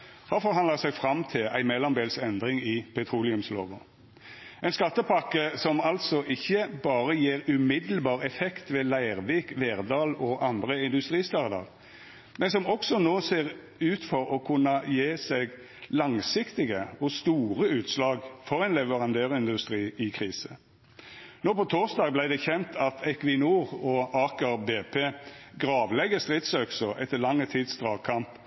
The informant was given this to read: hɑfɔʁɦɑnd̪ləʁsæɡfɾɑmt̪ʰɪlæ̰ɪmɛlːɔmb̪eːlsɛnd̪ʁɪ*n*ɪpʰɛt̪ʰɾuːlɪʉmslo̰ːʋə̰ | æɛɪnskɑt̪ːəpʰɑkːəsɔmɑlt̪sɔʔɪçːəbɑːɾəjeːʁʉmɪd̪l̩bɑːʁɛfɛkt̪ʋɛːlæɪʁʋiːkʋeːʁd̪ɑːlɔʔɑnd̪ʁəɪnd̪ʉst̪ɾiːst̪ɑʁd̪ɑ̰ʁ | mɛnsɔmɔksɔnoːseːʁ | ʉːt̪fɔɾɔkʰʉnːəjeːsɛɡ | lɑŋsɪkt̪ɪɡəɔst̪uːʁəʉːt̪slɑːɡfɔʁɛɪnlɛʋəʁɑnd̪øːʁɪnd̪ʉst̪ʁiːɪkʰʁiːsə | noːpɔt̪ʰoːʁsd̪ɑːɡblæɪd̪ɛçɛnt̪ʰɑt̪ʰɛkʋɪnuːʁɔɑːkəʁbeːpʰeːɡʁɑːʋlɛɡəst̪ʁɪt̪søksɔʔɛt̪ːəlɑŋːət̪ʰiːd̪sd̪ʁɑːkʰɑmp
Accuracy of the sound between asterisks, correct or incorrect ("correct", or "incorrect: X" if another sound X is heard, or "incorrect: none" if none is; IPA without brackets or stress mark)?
incorrect: ŋ